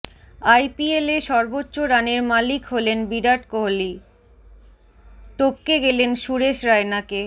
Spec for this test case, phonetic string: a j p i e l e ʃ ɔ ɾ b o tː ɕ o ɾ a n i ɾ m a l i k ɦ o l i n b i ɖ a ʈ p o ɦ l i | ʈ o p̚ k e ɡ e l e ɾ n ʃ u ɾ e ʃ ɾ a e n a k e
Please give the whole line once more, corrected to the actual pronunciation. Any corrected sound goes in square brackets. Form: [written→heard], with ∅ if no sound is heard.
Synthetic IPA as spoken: a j p i e l e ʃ ɔ ɾ b o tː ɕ o ɾ a n [i→e] ɾ m a l i k ɦ o l [i→e] n b i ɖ a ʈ [p→k] o ɦ l i | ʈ o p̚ k e ɡ e l e [ɾ→∅] n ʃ u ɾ e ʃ ɾ a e n a k e